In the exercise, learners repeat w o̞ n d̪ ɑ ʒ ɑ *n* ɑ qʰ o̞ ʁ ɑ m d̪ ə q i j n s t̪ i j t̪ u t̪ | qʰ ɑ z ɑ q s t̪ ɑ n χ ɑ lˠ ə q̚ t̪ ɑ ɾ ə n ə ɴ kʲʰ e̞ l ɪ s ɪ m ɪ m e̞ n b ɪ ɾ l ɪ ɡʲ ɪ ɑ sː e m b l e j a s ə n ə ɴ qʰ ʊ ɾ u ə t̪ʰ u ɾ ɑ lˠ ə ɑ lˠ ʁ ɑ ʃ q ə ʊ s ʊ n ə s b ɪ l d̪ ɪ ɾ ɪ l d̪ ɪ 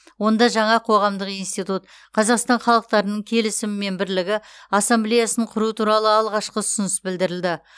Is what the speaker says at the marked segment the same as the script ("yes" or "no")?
no